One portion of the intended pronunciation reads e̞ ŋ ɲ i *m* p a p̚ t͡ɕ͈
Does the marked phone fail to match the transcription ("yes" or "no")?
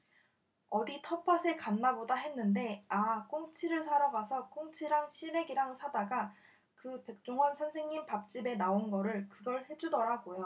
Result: no